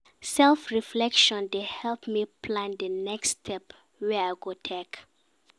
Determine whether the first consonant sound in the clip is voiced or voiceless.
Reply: voiceless